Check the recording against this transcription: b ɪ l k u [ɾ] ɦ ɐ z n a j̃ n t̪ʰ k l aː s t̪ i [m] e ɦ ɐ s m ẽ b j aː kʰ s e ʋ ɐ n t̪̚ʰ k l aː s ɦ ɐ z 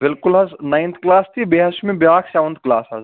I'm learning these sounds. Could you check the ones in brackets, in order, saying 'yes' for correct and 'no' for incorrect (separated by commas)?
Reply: no, no